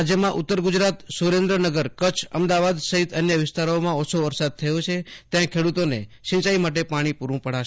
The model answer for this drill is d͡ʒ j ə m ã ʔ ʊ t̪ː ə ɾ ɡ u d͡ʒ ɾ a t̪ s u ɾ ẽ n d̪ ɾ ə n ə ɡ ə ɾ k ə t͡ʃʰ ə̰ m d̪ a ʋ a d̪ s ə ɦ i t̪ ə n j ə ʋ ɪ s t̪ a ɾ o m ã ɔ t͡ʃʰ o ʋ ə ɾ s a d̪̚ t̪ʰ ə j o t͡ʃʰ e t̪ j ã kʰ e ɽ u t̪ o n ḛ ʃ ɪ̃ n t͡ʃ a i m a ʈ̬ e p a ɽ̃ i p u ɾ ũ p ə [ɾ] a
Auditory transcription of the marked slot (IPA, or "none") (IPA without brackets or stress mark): ɽ